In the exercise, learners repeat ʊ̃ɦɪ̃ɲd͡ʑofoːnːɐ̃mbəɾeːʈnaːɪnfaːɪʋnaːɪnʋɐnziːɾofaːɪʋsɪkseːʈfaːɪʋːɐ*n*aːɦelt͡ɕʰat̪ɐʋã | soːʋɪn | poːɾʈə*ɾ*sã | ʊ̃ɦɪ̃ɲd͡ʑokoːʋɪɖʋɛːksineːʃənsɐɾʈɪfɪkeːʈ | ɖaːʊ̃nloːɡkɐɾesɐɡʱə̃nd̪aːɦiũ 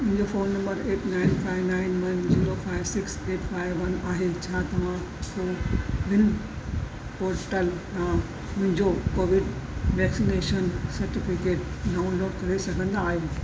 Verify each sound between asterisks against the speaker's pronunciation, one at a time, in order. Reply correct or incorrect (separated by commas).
correct, incorrect